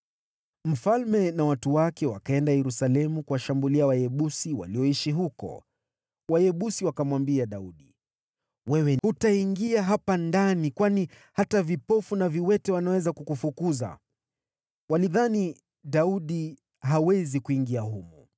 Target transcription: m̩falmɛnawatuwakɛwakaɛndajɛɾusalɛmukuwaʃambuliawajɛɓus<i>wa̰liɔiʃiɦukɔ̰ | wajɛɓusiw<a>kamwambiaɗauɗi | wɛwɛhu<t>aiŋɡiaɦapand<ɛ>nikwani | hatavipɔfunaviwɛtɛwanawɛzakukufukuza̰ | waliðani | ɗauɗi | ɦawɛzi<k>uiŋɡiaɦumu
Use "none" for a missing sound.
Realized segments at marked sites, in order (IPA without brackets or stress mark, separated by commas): i, a, t, a, k